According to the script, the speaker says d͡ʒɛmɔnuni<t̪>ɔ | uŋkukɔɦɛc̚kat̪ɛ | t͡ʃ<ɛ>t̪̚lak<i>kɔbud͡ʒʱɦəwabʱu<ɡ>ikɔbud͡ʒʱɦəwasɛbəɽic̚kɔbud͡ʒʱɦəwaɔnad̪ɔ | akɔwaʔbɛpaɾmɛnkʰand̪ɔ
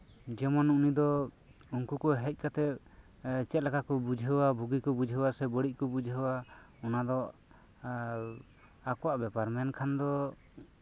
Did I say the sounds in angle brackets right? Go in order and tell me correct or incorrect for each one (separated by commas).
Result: incorrect, correct, incorrect, correct